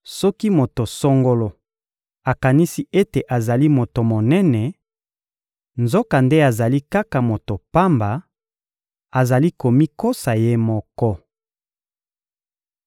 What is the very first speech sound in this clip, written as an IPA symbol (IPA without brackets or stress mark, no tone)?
s